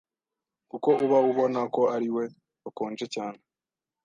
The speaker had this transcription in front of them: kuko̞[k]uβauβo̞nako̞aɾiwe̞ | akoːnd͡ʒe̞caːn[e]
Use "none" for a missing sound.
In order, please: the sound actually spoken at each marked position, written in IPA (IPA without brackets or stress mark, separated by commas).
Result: none, e